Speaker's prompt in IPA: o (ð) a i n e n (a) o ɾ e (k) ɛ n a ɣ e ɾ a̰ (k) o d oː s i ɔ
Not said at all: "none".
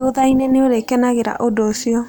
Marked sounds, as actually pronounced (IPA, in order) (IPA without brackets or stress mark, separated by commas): ð, e, k, ʔ